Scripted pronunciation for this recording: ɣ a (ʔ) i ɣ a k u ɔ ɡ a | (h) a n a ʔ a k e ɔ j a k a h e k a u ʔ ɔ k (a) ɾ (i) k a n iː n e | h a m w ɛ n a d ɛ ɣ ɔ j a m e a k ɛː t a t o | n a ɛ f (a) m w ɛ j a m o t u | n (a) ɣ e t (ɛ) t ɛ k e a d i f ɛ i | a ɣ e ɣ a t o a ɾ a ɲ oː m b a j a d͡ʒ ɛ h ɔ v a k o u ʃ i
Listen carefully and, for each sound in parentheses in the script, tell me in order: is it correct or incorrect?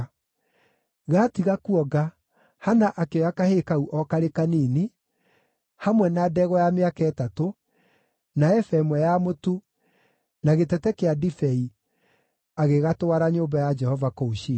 incorrect, correct, correct, incorrect, incorrect, correct, correct

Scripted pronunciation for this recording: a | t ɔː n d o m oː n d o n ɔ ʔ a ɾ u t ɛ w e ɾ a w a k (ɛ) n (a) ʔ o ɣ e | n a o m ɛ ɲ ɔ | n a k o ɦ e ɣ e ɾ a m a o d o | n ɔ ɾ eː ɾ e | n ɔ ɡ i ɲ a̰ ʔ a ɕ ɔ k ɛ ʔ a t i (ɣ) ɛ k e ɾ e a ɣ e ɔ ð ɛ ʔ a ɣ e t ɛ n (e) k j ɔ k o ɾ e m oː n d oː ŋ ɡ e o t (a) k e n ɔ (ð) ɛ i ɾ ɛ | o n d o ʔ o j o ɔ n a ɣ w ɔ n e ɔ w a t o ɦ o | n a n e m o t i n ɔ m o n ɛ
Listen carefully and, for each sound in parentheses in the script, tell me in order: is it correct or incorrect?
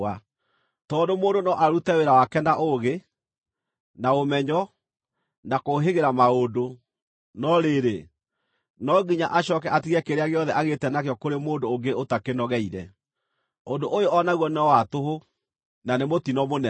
correct, correct, correct, incorrect, correct, incorrect

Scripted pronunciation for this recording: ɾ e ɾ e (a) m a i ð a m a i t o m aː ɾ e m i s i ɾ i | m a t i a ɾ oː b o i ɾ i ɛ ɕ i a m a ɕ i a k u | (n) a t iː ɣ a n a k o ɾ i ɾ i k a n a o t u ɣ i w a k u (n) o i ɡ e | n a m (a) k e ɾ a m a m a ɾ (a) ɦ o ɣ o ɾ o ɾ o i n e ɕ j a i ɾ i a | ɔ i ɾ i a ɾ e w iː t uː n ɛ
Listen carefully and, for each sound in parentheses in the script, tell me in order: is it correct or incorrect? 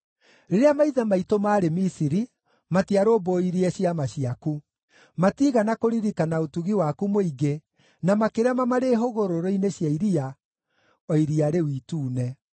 correct, incorrect, incorrect, correct, incorrect

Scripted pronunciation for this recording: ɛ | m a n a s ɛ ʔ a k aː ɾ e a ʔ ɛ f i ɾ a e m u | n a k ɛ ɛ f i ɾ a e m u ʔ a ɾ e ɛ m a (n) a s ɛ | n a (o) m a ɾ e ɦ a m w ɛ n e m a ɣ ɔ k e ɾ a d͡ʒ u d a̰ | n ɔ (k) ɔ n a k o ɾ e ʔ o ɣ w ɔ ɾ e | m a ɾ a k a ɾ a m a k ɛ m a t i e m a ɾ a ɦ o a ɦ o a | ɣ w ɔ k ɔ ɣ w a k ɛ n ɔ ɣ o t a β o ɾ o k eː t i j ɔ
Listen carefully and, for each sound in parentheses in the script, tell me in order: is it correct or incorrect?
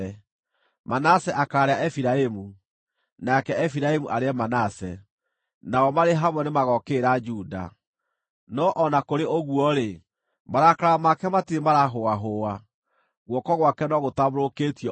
correct, incorrect, incorrect

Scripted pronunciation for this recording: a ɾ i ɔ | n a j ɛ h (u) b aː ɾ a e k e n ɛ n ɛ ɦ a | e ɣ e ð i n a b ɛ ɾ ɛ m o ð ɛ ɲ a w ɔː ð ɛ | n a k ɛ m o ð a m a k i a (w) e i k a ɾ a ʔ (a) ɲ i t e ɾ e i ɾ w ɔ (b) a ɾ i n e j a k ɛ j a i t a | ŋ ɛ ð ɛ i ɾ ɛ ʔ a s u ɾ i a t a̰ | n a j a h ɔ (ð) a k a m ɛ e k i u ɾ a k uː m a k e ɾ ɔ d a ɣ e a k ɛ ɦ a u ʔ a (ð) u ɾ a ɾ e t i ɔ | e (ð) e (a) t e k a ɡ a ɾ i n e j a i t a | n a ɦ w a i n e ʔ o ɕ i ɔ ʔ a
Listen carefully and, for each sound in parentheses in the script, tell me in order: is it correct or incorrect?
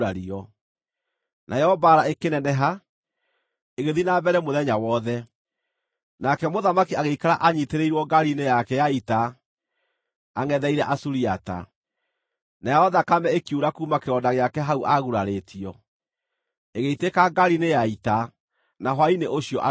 incorrect, incorrect, correct, incorrect, correct, incorrect, incorrect, incorrect

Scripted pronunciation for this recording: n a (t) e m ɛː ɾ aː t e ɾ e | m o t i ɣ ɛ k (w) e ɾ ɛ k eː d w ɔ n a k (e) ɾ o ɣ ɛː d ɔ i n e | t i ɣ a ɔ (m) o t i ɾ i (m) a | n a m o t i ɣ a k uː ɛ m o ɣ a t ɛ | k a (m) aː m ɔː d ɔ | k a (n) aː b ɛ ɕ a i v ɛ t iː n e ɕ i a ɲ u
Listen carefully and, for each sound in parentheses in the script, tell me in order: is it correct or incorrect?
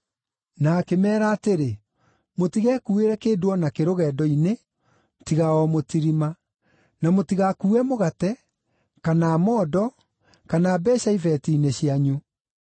incorrect, incorrect, correct, correct, correct, incorrect, correct

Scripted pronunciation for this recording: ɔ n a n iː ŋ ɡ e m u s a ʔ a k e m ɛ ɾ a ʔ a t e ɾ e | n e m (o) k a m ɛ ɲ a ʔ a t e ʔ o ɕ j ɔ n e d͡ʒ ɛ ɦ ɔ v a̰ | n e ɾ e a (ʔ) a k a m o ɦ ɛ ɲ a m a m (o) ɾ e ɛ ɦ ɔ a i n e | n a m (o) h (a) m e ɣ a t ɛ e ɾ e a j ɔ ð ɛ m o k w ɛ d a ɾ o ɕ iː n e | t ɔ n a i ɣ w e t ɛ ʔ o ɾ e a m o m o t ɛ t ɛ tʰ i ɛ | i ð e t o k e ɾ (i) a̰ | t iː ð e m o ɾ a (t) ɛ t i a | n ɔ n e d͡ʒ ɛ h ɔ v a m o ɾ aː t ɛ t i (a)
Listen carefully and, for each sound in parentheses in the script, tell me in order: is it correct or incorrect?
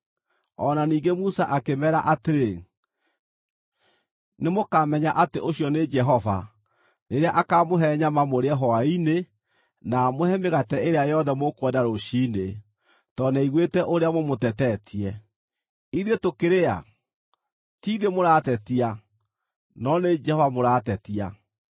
correct, correct, correct, correct, incorrect, incorrect, correct, correct

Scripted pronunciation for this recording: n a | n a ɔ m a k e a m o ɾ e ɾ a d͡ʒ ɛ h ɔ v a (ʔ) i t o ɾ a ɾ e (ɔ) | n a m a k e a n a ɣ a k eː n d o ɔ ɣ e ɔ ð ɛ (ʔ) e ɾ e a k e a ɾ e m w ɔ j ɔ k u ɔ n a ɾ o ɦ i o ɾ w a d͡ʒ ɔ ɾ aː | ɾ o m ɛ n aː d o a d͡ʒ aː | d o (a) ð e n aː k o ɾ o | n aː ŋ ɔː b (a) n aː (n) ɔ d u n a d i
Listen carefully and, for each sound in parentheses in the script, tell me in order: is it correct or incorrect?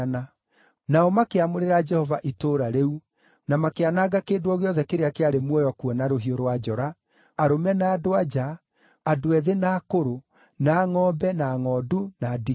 correct, incorrect, incorrect, incorrect, incorrect, incorrect

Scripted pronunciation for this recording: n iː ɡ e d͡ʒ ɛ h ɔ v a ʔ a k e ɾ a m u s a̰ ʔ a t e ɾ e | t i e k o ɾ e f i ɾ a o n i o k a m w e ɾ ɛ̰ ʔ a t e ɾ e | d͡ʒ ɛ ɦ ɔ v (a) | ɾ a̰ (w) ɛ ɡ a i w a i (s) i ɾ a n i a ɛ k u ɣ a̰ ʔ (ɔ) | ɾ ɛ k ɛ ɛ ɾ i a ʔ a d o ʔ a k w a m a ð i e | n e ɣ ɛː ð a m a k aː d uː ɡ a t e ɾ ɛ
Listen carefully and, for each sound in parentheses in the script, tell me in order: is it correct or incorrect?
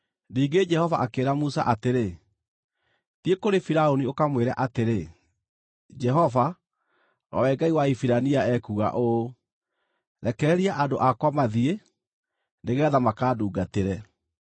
correct, correct, incorrect, incorrect

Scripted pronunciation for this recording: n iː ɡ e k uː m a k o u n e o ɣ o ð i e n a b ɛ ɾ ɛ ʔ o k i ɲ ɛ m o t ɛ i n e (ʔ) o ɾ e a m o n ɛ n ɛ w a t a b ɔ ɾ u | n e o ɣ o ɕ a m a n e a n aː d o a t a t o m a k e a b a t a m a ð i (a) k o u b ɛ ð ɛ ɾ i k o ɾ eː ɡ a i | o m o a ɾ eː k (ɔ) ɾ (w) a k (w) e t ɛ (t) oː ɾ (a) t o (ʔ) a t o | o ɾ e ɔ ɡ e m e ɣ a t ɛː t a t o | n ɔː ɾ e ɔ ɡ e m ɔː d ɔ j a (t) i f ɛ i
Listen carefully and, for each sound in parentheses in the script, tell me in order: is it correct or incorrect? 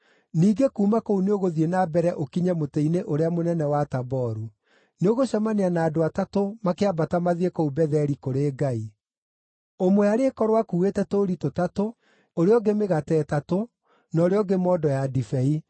correct, incorrect, correct, correct, incorrect, correct, incorrect, incorrect, incorrect

